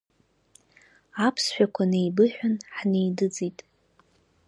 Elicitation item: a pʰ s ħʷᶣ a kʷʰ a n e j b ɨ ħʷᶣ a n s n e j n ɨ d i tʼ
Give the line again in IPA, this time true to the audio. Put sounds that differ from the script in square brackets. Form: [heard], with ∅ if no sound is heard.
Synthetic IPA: a pʰ s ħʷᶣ a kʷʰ a n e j b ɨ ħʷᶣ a n [ħ] n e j [d] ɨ [d͡z] i tʼ

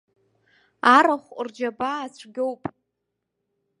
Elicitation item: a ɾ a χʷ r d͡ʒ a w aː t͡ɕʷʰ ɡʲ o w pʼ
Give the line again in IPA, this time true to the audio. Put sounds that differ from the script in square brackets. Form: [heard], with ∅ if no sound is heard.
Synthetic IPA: a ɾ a χʷ r d͡ʒ a [b] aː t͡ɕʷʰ ɡʲ o w pʼ

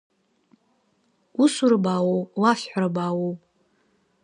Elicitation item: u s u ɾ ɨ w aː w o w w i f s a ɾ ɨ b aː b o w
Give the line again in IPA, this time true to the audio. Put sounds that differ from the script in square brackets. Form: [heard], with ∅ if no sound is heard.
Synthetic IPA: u s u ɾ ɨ [b] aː w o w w [a] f [ħ] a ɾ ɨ b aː [w] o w

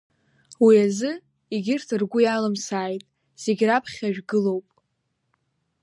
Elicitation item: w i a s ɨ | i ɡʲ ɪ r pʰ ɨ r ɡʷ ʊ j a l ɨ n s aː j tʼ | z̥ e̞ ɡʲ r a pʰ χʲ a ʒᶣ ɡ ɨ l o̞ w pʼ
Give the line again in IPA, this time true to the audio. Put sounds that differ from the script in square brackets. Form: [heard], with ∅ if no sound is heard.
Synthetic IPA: w i a [z] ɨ | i ɡʲ ɪ r [tʰ] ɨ r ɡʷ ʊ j a l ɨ [m] s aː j tʼ | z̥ e̞ ɡʲ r a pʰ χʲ a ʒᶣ ɡ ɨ l o̞ w pʼ

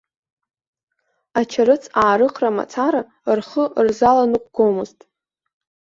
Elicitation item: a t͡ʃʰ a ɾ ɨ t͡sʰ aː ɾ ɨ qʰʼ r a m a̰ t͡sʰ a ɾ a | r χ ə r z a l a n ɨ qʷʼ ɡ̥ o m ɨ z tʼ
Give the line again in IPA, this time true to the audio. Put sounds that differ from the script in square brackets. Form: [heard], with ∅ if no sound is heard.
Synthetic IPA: a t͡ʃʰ a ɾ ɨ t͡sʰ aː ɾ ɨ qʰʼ r a m a̰ t͡sʰ a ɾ a | r χ ə r z a l a n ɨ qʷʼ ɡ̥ o m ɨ z tʼ

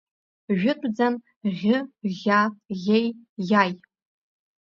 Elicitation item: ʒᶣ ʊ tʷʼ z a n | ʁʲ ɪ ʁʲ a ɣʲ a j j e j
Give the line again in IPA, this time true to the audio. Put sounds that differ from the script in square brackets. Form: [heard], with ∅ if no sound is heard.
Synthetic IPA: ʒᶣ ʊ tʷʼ [d͡z] a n | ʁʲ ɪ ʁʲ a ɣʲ [e] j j [a] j

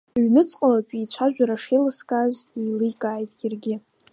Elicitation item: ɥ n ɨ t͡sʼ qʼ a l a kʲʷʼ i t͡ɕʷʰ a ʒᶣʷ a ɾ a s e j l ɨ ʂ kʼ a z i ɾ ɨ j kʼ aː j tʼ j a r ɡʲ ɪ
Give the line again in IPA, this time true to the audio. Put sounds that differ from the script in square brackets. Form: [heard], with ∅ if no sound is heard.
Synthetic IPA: ɥ n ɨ t͡sʼ qʼ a l a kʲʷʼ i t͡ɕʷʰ a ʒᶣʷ a ɾ a [ʂ] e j l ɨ [s] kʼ a z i [l] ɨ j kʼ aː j tʼ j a r ɡʲ ɪ

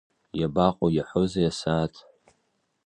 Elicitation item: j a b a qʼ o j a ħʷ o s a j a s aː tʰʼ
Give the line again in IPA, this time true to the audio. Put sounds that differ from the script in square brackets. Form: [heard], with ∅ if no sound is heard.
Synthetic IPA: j a b a qʼ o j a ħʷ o [z] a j a s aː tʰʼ

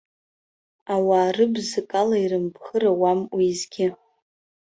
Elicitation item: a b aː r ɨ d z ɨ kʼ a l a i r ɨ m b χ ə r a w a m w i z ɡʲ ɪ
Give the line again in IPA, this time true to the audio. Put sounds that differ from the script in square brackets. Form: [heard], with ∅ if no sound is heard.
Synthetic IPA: a [w] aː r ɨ [b] z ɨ kʼ a l a i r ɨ m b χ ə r a w a m w i z ɡʲ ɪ

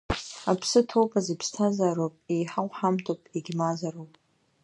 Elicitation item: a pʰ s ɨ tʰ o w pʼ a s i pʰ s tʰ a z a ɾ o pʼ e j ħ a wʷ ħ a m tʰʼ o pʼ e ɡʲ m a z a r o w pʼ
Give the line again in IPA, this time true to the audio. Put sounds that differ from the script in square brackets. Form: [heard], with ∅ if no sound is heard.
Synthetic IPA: a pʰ s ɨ tʰ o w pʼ a [z] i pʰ s tʰ a z a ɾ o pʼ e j ħ a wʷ ħ a m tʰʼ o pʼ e ɡʲ m a z a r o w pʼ

